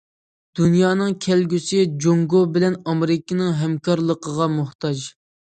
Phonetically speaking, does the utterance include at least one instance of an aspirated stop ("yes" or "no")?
yes